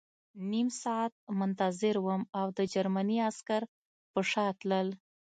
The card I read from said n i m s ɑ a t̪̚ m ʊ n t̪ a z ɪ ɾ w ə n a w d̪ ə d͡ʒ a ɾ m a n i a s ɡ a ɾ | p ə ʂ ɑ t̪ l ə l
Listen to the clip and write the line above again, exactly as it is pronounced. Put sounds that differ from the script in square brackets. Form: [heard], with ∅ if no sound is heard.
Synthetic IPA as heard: n i m s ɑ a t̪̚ m ʊ n t̪ a z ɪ ɾ w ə [m] a w d̪ ə d͡ʒ a ɾ m a n i a s [k] a ɾ | p ə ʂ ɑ t̪ l ə l